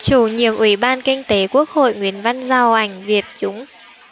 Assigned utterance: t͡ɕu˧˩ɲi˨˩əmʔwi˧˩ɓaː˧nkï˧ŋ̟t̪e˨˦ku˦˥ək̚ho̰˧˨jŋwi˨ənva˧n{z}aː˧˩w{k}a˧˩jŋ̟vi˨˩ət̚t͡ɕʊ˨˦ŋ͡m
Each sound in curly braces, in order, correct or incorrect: correct, incorrect: ʔ

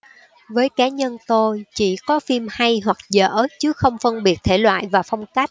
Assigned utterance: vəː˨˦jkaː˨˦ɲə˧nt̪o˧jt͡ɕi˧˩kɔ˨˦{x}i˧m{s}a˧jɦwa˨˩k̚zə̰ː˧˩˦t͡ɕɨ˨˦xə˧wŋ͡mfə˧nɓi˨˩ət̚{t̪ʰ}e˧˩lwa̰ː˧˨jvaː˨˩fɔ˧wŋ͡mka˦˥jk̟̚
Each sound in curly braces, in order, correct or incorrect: incorrect: f, incorrect: h, correct

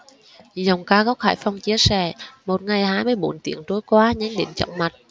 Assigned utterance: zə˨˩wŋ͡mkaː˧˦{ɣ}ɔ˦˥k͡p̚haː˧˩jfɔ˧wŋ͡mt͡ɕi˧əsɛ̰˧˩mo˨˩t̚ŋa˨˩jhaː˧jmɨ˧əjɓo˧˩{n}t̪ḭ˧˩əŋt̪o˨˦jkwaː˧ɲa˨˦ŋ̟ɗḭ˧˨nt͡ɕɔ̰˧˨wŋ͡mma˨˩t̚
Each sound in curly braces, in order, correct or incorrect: correct, correct

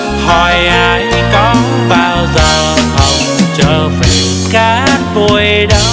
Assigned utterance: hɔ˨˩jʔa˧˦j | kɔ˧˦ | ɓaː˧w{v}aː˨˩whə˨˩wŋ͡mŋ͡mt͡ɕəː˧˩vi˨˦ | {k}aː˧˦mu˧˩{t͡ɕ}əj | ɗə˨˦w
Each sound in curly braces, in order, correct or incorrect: incorrect: z, correct, incorrect: none

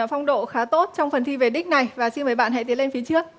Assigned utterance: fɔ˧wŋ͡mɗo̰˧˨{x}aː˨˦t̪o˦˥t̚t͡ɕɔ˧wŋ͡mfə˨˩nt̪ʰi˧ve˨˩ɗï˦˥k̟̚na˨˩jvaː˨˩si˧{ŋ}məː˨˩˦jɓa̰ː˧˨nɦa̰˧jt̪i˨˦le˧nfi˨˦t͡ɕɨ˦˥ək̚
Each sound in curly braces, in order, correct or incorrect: correct, incorrect: n

